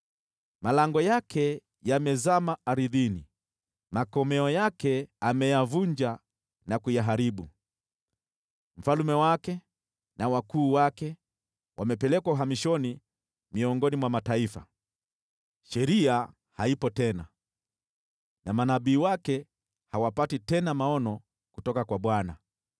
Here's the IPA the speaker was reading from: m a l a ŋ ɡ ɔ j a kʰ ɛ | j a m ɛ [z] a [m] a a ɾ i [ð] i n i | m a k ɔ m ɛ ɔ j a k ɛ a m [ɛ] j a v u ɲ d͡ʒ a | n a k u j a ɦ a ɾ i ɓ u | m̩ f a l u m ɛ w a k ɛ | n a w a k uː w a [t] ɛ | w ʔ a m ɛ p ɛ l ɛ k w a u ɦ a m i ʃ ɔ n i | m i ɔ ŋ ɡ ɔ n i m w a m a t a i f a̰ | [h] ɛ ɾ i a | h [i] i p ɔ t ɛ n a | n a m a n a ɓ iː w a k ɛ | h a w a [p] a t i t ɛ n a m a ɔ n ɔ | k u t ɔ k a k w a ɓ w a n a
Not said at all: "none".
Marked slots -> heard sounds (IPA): z, m, ð, ɛ, k, ʃ, a, p

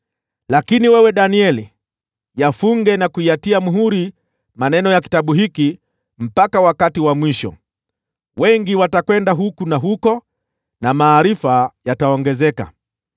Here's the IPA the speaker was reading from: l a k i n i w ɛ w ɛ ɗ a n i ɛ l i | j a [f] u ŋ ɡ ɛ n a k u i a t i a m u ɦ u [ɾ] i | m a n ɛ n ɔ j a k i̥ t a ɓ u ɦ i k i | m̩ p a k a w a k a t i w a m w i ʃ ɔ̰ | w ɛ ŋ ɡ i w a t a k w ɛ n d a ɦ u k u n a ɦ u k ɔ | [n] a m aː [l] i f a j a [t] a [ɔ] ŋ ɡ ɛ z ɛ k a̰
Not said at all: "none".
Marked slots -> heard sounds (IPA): f, ɾ, n, ɾ, t, ɔ

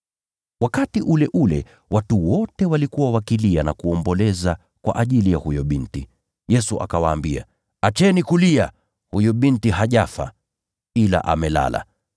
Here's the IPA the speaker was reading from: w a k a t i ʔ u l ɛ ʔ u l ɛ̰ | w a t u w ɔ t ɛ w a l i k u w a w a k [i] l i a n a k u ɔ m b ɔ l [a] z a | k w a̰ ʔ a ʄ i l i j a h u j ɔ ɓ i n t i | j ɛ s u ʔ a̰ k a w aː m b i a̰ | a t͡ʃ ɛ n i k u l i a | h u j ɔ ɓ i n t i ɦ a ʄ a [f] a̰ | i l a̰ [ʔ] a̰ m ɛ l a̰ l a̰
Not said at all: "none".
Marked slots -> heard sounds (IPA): i, ɛ, f, ʔ

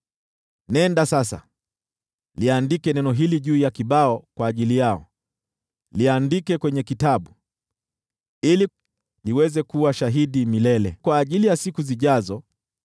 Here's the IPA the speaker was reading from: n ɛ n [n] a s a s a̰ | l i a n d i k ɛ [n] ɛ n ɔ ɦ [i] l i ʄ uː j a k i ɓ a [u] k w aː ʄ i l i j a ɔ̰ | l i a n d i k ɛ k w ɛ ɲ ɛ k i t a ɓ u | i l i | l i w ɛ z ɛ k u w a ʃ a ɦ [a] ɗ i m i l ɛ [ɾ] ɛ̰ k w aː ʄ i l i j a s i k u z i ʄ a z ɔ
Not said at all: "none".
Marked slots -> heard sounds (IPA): d, n, i, ɔ, i, l

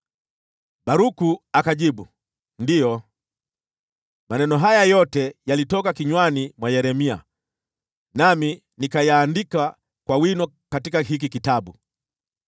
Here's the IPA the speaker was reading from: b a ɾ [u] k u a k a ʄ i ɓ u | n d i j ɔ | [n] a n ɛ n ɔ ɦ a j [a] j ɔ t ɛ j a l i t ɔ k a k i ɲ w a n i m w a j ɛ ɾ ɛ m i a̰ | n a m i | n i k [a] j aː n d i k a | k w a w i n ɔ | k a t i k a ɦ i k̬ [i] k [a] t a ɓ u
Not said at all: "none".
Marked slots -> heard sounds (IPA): u, m, a, a, i, i

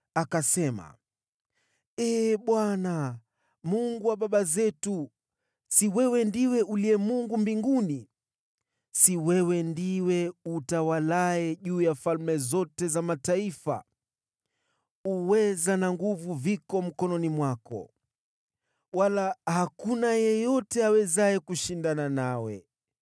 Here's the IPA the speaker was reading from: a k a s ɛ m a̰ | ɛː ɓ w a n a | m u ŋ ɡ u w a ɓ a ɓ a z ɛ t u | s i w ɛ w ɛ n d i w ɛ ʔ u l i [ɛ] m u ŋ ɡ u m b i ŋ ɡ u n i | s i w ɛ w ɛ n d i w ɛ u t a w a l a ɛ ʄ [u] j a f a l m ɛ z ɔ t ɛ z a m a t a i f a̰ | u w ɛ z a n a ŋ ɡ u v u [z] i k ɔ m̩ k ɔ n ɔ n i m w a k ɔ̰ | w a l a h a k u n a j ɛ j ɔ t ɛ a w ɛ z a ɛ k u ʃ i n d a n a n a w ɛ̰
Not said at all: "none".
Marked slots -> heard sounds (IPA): ɛ, uː, v

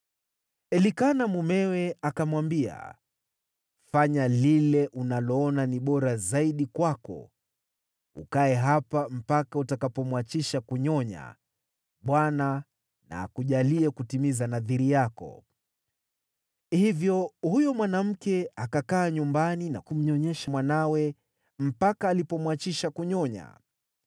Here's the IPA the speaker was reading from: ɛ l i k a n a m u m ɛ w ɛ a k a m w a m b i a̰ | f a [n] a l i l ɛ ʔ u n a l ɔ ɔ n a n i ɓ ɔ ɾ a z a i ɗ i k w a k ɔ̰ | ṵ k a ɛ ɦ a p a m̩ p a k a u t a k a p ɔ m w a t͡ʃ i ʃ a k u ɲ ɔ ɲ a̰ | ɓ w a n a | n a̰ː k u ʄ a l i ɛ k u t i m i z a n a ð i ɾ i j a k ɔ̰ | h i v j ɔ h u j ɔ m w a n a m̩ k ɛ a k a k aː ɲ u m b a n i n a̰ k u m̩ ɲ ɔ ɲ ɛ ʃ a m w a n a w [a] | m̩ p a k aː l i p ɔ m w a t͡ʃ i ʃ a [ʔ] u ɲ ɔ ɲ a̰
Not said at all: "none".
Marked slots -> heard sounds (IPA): ɲ, ɛ, k

